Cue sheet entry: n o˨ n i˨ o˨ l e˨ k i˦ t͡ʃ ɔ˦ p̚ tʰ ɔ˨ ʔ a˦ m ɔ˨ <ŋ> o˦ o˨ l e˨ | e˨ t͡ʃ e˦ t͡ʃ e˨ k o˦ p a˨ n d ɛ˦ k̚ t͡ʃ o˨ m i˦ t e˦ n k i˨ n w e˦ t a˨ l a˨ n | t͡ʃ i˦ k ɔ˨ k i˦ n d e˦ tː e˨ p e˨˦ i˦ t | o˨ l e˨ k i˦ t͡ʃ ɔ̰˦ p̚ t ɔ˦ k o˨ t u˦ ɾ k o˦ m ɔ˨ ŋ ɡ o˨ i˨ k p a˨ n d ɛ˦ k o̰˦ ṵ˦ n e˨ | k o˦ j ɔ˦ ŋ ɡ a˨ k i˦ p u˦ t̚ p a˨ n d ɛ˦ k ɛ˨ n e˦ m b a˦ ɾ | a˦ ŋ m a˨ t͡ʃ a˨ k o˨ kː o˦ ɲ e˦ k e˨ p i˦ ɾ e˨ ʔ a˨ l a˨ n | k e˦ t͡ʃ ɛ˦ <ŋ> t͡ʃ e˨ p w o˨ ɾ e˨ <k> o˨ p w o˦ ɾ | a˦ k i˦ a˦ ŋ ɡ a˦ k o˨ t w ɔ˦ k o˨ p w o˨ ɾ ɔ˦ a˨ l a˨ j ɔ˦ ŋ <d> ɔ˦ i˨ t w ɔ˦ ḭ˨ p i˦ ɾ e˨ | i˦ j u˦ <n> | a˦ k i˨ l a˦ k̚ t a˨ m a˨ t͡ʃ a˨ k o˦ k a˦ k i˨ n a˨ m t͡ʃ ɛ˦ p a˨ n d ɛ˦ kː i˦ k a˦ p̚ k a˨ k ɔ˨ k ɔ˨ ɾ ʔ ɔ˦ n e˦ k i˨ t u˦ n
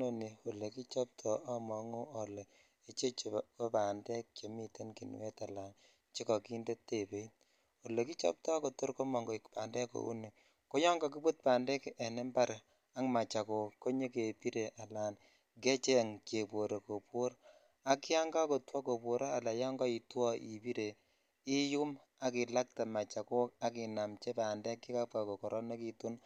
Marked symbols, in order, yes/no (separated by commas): yes, yes, yes, no, no